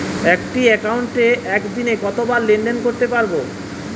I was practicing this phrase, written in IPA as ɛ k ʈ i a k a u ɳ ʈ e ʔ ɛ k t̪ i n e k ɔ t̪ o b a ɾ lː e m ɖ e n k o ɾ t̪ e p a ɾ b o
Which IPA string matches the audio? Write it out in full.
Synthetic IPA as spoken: ɛ k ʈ i ɛ k a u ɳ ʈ e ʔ ɛ k d̪ i n e k ɔ t̪ o b a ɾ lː e ɳ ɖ e n k o ɾ t̪ e p a ɾ b o